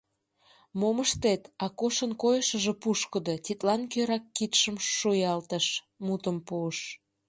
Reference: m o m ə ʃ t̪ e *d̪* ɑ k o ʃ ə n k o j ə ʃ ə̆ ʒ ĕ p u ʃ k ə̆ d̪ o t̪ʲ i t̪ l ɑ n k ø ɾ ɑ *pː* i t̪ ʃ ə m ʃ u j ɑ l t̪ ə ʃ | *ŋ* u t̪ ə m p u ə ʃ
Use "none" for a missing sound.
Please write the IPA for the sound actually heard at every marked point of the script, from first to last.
t̪, kː, m

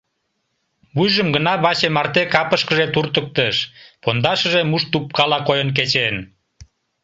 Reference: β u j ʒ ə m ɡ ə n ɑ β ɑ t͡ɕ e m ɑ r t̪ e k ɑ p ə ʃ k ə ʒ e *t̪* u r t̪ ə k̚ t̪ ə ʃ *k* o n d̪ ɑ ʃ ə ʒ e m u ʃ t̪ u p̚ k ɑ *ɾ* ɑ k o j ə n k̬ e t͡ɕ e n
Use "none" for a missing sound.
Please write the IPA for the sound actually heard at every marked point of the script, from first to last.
t̪, p, l

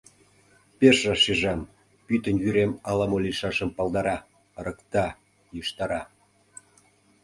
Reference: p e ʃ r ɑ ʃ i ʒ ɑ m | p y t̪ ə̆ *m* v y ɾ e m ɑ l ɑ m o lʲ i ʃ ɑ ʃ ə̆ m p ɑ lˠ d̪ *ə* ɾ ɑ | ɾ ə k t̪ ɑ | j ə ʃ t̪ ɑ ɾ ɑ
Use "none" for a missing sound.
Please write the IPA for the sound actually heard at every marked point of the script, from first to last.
n, ɑ

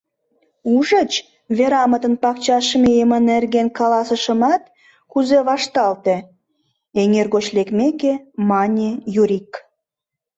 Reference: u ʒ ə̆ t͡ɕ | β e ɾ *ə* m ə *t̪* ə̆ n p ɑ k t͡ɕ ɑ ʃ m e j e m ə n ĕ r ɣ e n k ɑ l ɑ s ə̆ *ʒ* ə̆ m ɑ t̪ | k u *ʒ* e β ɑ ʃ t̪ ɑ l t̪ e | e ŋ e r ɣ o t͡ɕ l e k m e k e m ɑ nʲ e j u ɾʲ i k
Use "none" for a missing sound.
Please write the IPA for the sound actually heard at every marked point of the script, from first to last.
ɑ, t̪, ʃ, z

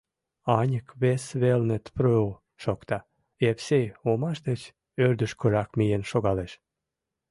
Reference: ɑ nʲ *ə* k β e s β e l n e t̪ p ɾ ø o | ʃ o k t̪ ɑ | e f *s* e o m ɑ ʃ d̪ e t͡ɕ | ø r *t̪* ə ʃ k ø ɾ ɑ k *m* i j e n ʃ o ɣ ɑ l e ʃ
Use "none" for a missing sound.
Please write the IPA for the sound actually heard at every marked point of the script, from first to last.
ə, s, d̪, m

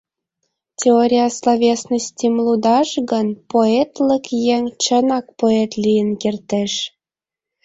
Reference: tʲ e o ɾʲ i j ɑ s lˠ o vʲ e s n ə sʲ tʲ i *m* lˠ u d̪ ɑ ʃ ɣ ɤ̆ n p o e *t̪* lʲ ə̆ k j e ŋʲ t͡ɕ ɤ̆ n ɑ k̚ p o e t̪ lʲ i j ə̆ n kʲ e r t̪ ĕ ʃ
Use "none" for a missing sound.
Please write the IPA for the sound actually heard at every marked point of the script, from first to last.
m, t̪

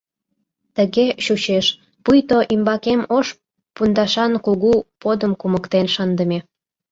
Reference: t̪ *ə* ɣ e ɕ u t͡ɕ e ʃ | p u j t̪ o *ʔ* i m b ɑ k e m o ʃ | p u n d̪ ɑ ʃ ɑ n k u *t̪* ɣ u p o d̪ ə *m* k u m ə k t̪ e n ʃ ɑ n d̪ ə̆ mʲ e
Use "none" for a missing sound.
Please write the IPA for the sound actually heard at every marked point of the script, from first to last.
ə, ʔ, none, m

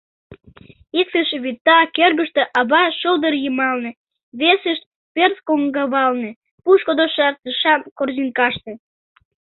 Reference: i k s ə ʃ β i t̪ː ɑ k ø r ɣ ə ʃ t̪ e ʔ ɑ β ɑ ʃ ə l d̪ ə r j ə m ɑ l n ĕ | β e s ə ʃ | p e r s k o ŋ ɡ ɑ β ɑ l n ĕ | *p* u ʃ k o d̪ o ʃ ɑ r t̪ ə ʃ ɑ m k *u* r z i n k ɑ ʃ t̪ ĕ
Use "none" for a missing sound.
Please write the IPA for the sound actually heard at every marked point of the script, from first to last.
p, o

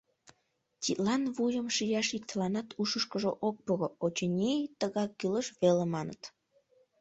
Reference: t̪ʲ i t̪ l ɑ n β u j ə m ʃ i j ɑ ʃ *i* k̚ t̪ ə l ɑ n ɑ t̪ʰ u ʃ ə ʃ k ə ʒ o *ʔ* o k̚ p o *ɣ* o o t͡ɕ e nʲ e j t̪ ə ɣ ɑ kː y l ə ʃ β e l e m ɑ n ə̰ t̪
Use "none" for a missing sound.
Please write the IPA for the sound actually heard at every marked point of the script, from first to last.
i, ʔ, ɣ

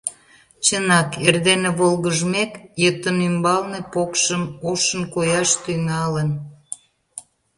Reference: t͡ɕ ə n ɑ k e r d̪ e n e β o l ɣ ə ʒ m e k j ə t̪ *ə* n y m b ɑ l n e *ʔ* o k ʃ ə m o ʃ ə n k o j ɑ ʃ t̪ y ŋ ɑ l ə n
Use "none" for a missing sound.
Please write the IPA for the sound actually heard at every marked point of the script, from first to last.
ə, p

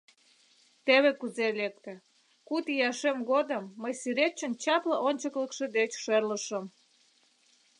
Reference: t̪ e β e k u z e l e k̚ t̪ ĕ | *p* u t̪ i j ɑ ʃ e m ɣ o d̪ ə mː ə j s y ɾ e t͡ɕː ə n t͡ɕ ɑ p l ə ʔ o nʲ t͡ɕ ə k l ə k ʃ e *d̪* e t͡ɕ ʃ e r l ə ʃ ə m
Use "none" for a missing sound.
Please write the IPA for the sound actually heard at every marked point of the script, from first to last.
k, d̪

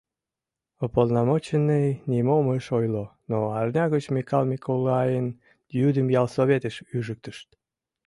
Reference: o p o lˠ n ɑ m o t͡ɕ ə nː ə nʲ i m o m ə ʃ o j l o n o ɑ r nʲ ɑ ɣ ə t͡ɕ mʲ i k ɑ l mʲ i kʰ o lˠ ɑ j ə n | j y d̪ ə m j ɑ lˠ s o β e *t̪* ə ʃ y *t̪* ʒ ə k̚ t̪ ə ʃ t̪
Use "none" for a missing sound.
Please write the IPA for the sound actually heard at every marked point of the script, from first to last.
t̪, none

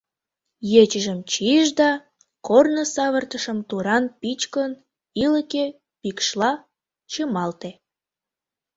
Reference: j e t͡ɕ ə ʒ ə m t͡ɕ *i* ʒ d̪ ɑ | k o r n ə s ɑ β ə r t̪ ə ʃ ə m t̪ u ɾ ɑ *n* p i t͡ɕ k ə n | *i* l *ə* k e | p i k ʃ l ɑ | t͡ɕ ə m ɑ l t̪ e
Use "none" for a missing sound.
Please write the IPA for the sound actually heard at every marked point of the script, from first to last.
i, n, i, ə

